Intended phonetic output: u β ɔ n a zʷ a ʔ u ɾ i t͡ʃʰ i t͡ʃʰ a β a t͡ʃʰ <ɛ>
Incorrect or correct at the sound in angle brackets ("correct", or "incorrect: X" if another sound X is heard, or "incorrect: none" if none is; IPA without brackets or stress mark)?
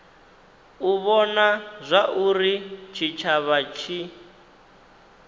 incorrect: i